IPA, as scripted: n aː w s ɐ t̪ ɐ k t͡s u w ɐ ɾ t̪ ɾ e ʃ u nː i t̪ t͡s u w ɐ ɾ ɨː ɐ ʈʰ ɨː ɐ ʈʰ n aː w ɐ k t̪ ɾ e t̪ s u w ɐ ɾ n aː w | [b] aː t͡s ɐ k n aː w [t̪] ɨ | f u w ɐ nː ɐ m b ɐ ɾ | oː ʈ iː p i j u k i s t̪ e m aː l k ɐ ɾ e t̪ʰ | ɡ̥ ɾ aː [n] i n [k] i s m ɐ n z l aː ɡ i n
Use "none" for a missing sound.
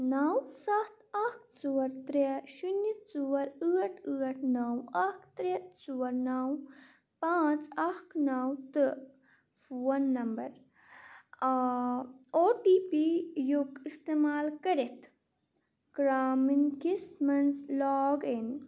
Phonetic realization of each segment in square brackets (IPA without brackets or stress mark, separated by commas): p, t̪, m, k